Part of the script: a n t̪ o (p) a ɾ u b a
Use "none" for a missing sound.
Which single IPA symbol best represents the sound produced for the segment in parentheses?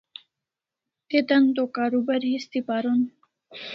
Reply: k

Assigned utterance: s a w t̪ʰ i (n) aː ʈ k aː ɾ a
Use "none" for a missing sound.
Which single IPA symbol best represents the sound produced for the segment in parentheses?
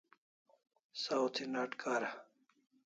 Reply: n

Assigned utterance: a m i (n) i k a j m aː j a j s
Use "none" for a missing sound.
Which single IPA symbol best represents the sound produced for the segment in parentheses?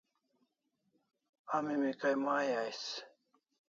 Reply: m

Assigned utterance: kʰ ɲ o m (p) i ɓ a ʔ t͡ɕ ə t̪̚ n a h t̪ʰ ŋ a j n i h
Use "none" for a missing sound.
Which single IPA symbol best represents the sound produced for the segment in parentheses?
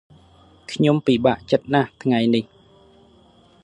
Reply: p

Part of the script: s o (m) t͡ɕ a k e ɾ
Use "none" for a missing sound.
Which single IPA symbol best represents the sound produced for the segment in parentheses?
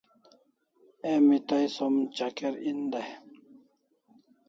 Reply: m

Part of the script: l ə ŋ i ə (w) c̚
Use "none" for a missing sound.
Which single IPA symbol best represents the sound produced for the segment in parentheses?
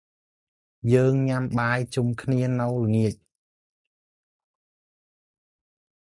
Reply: none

